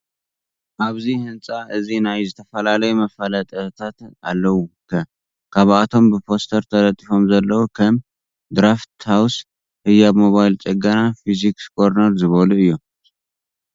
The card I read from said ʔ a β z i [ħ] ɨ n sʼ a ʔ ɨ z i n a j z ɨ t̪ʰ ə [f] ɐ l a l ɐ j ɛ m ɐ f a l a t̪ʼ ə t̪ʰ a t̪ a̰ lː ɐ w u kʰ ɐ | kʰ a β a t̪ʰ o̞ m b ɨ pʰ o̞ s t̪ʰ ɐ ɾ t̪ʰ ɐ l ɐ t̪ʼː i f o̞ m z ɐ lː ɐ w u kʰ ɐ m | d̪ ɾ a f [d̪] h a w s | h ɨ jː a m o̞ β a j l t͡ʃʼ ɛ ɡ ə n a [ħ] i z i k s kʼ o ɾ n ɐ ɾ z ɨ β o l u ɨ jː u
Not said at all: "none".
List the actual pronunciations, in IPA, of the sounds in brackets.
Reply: h, f, t̪, f

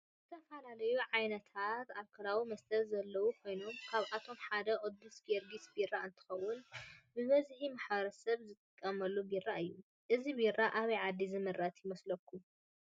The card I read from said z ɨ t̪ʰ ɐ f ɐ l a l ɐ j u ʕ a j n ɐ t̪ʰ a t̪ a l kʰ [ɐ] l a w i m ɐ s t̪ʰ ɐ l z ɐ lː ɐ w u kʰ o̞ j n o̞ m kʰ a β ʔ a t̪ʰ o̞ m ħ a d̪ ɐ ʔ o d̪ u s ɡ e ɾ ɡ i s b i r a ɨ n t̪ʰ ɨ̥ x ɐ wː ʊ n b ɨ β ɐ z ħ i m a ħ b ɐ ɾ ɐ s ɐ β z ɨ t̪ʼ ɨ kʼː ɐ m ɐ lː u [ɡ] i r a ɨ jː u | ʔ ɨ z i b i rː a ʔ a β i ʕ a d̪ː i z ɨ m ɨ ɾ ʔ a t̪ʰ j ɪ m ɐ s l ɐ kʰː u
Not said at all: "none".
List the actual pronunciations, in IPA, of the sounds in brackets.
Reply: ɐ, b

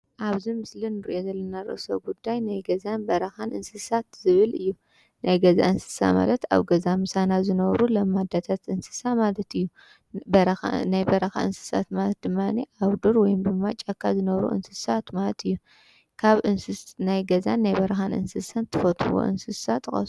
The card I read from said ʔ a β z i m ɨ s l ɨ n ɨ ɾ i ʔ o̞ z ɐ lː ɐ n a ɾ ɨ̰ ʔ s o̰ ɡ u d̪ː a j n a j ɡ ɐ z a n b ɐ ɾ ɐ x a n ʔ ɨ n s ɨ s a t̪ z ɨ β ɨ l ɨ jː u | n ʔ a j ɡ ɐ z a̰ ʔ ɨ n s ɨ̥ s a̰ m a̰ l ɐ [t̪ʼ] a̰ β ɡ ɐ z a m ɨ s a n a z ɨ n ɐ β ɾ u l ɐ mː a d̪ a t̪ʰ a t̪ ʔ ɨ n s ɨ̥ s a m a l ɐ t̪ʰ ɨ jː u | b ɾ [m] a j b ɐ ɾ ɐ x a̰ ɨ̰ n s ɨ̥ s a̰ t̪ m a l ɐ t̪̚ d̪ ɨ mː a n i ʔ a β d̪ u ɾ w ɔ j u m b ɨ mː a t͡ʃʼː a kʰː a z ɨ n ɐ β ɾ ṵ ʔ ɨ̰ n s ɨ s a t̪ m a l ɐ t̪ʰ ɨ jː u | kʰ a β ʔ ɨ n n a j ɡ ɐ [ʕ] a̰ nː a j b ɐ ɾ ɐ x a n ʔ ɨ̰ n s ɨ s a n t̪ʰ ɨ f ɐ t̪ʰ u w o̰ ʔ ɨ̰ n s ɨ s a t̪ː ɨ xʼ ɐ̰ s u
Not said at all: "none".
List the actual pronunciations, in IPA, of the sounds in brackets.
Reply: t̪, n, z

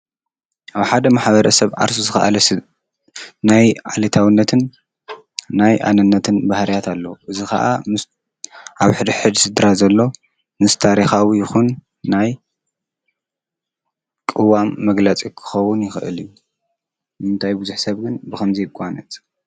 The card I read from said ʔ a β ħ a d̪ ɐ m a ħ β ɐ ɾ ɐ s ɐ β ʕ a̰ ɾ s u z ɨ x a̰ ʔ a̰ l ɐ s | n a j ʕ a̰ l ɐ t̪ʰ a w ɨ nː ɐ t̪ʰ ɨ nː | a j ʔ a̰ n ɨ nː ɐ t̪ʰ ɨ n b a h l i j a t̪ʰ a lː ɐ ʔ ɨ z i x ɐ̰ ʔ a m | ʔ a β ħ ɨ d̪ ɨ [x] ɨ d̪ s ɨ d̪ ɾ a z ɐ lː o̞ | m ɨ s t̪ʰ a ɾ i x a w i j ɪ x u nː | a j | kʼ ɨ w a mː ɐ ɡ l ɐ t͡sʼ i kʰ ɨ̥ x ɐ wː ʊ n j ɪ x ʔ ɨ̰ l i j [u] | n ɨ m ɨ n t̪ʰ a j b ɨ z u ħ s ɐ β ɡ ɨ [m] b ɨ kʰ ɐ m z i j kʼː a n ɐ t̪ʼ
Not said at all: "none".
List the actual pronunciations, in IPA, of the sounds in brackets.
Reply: ħ, u, n

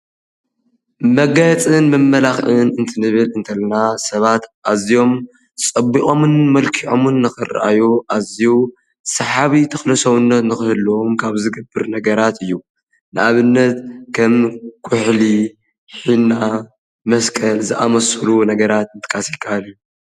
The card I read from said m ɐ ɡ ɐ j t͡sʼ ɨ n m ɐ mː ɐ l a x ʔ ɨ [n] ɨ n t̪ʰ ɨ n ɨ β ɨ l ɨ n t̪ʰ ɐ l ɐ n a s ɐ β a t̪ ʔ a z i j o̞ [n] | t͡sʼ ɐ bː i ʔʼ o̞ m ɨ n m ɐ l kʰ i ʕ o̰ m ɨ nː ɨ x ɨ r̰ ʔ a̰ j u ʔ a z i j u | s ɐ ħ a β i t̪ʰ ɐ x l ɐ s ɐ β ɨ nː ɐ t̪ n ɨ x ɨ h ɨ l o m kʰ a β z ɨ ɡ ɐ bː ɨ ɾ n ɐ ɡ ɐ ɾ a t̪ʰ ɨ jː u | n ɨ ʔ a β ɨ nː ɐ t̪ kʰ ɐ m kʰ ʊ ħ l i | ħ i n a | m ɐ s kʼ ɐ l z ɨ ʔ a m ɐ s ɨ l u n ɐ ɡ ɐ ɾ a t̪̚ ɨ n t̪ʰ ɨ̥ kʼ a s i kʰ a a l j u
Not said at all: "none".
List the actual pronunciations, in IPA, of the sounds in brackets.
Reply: n, m

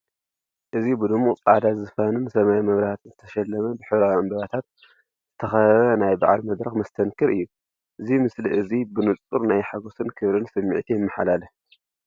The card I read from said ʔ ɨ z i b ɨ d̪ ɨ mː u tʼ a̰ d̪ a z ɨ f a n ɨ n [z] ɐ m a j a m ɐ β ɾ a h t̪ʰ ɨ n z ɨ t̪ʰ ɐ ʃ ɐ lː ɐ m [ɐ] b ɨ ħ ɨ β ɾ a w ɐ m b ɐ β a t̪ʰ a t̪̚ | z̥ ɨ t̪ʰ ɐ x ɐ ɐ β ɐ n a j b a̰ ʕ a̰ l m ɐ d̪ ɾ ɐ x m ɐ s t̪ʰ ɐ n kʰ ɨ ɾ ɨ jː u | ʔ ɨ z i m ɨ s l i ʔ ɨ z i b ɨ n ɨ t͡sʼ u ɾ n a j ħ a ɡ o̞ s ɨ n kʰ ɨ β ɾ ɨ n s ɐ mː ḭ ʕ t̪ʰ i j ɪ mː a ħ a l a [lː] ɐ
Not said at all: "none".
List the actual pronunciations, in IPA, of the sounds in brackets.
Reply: s, ɐ, l

